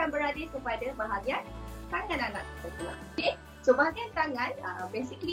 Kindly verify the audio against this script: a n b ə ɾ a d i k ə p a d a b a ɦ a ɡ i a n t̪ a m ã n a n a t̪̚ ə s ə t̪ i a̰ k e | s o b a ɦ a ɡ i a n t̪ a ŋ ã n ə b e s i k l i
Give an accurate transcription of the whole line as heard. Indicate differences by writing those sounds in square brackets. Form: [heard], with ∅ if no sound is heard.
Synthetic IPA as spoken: a n b ə ɾ a d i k ə p a d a b a ɦ a ɡ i a n t̪ a [ŋ] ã n a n a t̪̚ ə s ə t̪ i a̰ k e | s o b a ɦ a ɡ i a n t̪ a ŋ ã n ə b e s i k l i